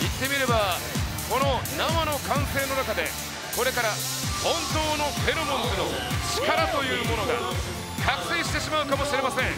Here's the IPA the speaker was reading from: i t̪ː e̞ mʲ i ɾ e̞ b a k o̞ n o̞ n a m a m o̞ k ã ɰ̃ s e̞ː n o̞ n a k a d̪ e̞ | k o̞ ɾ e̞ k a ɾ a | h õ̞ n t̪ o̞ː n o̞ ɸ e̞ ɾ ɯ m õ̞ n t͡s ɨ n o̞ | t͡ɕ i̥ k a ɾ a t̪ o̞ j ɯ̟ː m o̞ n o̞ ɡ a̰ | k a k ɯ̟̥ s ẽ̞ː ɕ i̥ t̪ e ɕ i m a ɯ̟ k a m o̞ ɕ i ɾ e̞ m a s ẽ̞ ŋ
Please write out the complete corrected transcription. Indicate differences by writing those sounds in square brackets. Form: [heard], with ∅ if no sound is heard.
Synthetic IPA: i t̪ː e̞ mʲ i ɾ e̞ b a k o̞ n o̞ n a m a [n] o̞ k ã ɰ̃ s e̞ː n o̞ n a k a d̪ e̞ | k o̞ ɾ e̞ k a ɾ a | h õ̞ n t̪ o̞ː n o̞ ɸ e̞ ɾ ɯ m õ̞ n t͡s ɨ n o̞ | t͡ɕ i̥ k a ɾ a t̪ o̞ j ɯ̟ː m o̞ n o̞ ɡ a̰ | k a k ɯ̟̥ s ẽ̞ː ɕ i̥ t̪ e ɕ i m a ɯ̟ k a m o̞ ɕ i ɾ e̞ m a s ẽ̞ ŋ